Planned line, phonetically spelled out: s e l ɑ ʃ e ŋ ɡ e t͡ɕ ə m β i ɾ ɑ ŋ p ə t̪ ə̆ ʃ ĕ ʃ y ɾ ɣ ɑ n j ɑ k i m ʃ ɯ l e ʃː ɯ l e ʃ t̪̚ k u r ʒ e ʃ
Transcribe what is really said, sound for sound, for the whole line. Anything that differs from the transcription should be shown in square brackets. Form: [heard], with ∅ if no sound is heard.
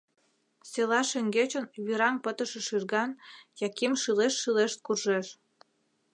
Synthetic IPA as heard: s e l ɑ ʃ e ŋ ɡ e t͡ɕ ə [n] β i ɾ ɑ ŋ p ə t̪ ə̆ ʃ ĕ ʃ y [r] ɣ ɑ n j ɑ k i m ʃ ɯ l e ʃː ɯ l e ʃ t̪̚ k u r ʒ e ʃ

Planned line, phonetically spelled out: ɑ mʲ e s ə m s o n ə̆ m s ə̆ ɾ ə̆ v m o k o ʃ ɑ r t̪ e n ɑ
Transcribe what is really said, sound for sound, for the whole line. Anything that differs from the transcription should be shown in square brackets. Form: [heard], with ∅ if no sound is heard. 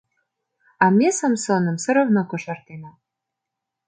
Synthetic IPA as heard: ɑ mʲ e s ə m s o n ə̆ m s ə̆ ɾ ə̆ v [n] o k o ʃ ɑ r t̪ e n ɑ

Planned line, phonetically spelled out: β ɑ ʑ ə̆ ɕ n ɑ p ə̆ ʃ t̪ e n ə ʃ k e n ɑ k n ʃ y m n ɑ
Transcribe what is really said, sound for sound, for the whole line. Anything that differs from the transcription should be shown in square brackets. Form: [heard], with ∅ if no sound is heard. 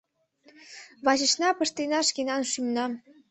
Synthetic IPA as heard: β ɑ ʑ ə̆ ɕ n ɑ p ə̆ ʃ t̪ e n [ɑ] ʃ k e n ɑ [∅] n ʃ y m n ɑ

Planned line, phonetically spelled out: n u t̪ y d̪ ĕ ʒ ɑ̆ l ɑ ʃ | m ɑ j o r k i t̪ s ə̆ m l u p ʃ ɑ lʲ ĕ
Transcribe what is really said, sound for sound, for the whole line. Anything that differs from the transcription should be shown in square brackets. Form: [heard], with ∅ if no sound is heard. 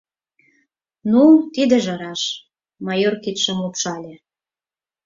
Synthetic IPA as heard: n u t̪ [i] d̪ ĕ ʒ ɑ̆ [ɾ] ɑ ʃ | m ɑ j o r k i t̪ [ʃ] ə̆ m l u p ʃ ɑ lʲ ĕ

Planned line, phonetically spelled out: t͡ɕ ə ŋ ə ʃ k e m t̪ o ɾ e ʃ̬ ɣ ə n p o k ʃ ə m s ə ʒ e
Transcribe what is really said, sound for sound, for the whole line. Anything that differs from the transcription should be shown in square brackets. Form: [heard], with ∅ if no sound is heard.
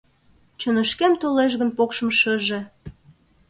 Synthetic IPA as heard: t͡ɕ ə [n] ə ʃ k e m t̪ o [l] e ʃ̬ ɣ ə n p o k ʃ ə m [ʃ] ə ʒ e

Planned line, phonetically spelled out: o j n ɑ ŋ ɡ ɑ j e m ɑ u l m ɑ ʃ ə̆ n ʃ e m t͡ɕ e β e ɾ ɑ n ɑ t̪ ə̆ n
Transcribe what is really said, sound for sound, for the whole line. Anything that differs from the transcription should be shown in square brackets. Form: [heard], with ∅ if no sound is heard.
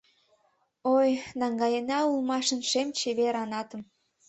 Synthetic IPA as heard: o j n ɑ ŋ ɡ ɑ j e [n] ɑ u l m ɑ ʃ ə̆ n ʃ e m t͡ɕ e β e ɾ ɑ n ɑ t̪ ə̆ [m]

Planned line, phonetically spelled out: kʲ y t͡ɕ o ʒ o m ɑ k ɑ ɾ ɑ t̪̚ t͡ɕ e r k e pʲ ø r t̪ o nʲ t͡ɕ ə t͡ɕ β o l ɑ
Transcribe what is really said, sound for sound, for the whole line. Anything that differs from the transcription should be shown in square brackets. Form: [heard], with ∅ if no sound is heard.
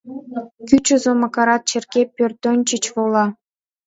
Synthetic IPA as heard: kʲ y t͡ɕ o [z] o m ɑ k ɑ ɾ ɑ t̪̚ t͡ɕ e r k e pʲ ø r t̪ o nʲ t͡ɕ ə t͡ɕ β o l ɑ

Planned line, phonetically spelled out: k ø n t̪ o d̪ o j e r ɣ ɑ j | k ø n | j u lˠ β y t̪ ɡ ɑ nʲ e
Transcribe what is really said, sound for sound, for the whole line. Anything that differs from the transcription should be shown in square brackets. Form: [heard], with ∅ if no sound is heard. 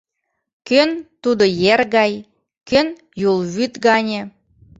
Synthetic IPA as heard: k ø n t̪ [u] d̪ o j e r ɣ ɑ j | k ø n | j u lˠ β y t̪ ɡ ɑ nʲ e

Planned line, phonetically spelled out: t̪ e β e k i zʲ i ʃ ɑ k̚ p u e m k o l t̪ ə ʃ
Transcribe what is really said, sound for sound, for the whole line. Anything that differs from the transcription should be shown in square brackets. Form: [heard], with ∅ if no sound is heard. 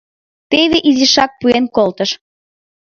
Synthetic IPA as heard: t̪ e β e [ʔ] i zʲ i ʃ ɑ k̚ p u e [n] k o l t̪ ə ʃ

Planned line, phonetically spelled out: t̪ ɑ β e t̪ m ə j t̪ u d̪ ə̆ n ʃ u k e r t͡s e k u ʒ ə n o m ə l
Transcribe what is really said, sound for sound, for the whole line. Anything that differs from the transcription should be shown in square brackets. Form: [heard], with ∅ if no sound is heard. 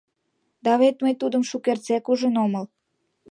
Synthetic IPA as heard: [d̪] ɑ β e t̪ m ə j t̪ u d̪ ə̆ [m] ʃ u k e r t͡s e k u ʒ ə n o m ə l

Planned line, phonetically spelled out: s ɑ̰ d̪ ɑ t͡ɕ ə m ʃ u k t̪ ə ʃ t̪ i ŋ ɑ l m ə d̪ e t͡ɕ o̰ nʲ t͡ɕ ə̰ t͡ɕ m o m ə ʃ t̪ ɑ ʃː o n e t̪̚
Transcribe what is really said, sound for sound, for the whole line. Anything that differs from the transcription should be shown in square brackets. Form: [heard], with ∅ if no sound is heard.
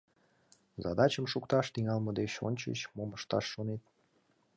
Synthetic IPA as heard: [z] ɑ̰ d̪ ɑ t͡ɕ ə m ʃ u k t̪ [ɑ] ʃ t̪ i ŋ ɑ l m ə d̪ e t͡ɕ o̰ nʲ t͡ɕ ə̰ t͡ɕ m o m ə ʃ t̪ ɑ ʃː o n e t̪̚

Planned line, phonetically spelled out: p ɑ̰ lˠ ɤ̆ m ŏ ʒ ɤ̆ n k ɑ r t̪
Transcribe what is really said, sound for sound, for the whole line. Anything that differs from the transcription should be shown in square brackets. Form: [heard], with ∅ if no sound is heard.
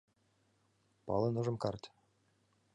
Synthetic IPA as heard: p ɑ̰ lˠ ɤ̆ [n] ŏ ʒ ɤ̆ [m] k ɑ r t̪

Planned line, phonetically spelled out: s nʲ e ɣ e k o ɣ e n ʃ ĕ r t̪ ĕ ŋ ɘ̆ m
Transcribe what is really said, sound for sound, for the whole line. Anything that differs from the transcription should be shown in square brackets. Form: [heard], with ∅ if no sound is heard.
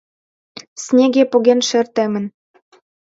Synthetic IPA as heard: s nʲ e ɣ e [p] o ɣ e n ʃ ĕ r t̪ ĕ [m] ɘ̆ [n]

